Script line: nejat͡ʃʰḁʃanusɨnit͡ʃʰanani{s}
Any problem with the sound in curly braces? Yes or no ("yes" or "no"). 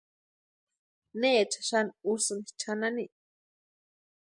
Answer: yes